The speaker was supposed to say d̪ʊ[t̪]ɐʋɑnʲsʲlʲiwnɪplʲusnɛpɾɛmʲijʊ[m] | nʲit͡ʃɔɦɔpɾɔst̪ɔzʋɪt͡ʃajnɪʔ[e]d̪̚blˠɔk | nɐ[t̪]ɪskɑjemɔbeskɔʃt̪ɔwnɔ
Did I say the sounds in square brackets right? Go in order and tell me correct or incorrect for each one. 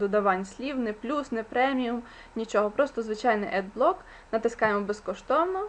incorrect, correct, incorrect, correct

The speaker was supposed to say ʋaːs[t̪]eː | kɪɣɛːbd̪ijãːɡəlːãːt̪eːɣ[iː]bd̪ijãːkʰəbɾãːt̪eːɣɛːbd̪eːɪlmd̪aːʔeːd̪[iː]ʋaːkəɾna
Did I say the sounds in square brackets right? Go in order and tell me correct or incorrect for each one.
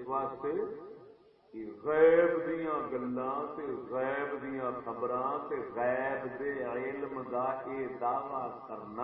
correct, incorrect, incorrect

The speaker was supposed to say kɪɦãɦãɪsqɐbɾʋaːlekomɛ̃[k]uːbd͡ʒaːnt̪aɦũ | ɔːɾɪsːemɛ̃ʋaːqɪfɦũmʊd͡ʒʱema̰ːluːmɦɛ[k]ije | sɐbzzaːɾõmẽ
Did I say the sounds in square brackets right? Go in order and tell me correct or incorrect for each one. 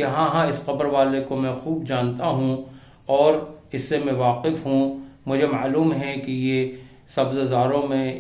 incorrect, correct

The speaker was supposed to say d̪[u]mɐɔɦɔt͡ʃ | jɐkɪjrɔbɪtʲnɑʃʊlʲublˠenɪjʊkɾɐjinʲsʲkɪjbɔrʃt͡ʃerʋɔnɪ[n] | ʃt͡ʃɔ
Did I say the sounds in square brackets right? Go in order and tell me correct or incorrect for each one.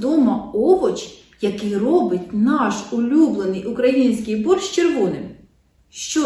incorrect, incorrect

